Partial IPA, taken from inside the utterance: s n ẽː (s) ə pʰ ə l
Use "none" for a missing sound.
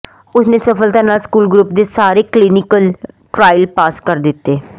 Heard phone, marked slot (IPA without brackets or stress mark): s